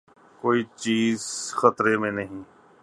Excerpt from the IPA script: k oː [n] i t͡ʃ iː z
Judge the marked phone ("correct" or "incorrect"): incorrect